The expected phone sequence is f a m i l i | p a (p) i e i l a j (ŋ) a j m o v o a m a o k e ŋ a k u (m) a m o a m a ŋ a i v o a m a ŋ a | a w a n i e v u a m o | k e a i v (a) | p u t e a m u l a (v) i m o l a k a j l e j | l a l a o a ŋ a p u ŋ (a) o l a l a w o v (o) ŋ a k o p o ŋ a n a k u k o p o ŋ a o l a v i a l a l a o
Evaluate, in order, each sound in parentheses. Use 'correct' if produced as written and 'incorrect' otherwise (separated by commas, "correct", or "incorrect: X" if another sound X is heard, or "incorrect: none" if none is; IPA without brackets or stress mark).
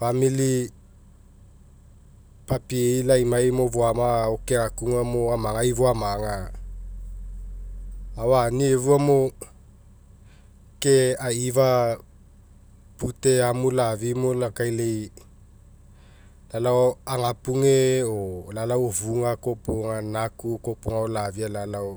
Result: correct, incorrect: m, incorrect: ŋ, correct, correct, incorrect: e, incorrect: u